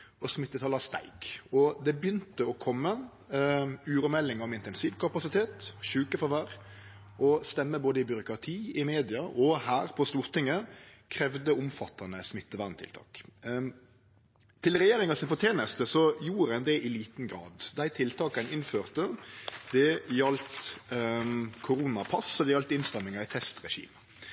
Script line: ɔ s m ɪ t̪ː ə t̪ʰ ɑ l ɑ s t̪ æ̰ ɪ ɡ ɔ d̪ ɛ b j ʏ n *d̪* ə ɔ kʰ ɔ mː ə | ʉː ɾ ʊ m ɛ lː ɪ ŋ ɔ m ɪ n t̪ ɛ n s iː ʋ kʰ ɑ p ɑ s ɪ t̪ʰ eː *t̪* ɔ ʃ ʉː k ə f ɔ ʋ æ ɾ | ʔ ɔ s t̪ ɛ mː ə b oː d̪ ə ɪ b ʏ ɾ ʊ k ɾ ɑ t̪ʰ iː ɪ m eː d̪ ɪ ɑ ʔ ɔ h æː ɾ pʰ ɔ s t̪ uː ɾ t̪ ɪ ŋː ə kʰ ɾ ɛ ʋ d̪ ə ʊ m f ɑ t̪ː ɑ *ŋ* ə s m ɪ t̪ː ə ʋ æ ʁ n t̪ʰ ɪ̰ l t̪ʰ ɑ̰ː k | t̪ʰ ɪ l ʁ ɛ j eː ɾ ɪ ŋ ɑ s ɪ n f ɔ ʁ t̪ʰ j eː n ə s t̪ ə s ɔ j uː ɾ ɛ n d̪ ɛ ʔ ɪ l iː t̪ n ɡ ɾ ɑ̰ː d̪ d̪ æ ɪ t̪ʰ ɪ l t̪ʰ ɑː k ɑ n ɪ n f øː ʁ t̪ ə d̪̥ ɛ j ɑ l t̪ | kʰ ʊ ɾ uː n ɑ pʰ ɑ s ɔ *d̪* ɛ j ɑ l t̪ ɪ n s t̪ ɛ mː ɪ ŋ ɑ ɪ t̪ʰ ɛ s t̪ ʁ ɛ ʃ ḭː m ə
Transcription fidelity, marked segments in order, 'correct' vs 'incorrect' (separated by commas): incorrect, correct, incorrect, correct